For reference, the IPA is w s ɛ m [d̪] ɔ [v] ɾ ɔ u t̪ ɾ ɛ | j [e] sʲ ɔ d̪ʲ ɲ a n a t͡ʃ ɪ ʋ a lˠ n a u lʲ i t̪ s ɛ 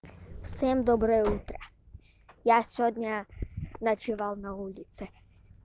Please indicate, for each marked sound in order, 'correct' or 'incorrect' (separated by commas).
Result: correct, incorrect, incorrect